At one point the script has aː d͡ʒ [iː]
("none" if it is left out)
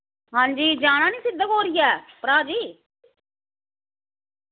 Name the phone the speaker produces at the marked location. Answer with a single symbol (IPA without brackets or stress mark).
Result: iː